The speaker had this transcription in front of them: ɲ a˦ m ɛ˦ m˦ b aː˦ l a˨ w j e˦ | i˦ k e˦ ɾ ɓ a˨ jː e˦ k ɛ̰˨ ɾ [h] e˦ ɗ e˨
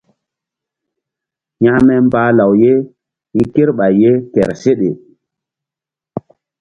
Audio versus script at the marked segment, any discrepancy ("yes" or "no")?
yes